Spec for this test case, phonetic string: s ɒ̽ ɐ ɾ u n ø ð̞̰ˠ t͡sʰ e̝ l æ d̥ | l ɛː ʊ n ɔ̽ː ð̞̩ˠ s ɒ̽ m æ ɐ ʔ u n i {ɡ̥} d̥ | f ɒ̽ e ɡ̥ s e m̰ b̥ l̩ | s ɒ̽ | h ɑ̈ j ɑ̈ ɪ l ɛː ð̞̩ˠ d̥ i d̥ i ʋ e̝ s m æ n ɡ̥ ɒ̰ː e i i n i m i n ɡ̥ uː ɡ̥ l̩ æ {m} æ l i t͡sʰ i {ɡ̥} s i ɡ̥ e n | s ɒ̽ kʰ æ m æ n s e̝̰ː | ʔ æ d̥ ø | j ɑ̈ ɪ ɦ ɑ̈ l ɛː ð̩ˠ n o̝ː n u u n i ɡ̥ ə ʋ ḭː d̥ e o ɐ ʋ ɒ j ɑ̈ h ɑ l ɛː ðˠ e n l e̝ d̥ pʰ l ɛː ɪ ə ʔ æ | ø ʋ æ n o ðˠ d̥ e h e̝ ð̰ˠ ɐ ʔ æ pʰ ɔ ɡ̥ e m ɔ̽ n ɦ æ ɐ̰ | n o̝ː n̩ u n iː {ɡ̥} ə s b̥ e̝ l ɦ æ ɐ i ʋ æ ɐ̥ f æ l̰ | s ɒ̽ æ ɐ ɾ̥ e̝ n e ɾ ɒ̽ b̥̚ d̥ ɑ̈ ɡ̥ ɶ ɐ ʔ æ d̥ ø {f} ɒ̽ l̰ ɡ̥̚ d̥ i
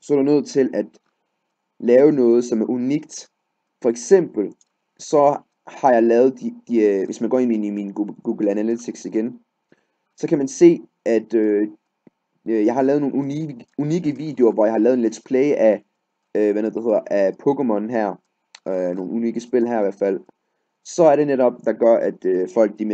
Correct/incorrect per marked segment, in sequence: correct, incorrect, correct, correct, correct

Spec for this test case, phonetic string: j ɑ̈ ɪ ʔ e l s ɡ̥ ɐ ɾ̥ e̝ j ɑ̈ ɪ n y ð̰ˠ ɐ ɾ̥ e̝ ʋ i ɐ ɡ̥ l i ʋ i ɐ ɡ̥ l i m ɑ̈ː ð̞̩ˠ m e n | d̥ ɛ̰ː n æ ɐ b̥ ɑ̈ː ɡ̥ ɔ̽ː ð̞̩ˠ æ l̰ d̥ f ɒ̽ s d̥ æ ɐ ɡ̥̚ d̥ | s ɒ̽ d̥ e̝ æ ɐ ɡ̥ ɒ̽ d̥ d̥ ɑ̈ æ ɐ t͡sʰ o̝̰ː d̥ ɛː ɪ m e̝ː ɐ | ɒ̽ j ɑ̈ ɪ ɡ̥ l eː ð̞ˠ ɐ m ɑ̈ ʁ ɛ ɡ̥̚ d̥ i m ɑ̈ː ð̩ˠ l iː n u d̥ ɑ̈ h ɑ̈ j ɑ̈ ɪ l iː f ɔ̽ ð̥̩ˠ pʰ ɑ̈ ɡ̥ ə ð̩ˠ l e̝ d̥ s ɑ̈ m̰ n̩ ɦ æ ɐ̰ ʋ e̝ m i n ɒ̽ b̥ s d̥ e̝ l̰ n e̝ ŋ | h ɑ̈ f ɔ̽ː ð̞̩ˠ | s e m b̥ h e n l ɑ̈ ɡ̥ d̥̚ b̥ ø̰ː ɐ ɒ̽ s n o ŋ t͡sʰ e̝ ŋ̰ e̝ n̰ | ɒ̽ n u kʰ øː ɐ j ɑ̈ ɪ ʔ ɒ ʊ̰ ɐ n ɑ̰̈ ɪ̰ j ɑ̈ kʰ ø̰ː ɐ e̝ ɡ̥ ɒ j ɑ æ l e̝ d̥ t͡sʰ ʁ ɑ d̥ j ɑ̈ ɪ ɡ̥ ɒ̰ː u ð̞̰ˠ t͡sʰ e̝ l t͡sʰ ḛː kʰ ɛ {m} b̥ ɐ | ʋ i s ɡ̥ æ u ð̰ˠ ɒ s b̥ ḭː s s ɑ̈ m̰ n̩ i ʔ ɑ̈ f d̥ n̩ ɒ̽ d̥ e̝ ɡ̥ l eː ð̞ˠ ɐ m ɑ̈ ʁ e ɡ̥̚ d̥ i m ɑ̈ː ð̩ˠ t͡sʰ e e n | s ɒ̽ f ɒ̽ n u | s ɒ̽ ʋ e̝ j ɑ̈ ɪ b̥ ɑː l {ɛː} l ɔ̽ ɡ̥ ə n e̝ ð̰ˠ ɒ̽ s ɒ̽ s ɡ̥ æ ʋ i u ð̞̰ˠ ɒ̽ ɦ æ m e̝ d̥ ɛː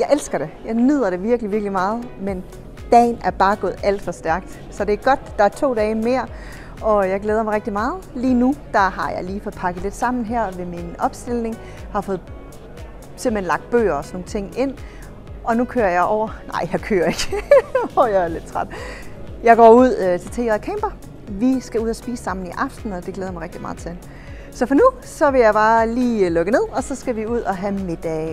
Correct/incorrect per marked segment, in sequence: correct, incorrect

